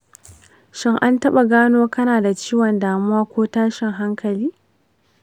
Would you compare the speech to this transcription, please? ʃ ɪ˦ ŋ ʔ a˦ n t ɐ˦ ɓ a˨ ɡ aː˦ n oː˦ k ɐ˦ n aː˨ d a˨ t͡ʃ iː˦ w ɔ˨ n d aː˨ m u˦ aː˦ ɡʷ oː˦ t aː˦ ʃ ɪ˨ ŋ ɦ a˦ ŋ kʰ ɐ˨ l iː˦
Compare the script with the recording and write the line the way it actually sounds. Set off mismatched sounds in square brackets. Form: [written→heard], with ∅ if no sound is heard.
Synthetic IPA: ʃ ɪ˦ ŋ ʔ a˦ n t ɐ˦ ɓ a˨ ɡ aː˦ n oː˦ k ɐ˦ n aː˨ d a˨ t͡ʃ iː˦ w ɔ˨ n d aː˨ m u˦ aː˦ [ɡʷ→kʷ] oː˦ t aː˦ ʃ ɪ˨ ŋ ɦ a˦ ŋ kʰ ɐ˨ l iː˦

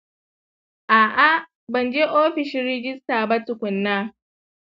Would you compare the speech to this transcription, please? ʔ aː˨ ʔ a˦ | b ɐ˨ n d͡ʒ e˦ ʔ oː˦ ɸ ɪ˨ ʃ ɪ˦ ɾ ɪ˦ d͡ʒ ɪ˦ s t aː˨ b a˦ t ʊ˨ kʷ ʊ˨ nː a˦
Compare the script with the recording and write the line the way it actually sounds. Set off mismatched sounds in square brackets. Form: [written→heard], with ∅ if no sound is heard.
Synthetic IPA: ʔ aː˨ ʔ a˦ | b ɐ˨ n d͡ʒ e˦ ʔ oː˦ ɸ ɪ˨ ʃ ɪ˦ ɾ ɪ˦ d͡ʒ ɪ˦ s t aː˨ b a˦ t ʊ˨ kʷ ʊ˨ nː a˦

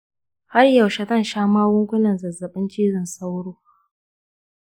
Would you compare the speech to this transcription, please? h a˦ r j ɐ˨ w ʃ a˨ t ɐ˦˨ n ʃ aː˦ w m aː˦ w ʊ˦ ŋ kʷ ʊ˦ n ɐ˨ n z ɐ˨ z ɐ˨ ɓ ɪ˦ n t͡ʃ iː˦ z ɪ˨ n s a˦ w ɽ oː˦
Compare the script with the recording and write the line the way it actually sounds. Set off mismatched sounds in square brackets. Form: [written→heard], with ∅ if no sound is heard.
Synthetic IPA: h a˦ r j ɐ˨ w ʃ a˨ t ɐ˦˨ n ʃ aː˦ [w→∅] m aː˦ w ʊ˦ ŋ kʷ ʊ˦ n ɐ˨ n z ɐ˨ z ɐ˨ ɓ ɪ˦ n t͡ʃ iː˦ z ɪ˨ n s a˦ w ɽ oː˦

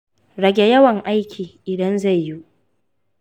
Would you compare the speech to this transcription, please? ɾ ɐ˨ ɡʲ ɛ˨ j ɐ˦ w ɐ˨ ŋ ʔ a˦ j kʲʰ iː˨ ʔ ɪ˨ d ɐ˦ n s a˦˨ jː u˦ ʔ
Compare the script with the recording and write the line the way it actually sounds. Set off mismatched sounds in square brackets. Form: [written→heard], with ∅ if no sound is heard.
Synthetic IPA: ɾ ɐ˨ ɡʲ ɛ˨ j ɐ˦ w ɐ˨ ŋ ʔ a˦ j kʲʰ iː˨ ʔ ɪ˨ d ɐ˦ n [s→z] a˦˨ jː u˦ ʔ

